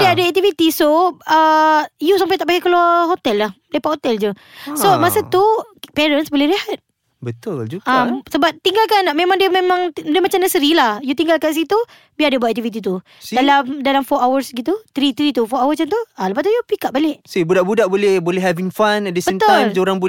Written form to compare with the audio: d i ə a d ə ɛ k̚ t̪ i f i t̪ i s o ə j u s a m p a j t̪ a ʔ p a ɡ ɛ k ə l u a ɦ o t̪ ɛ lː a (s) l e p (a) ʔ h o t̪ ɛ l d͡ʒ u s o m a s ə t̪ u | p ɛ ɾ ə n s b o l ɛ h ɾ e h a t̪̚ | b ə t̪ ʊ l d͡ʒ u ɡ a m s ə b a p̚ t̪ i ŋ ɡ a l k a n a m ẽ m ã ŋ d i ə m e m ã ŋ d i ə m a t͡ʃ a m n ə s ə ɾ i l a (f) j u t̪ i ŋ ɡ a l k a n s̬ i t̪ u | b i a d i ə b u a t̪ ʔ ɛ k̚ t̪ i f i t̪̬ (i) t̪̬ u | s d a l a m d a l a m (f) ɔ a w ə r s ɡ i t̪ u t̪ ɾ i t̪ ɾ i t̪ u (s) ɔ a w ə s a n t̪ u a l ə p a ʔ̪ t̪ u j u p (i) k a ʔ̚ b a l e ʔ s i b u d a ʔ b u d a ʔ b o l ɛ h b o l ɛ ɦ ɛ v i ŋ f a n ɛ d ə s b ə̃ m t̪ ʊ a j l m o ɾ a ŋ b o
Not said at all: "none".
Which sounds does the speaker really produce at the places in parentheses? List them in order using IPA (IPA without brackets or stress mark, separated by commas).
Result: h, a, h, i, f, f, i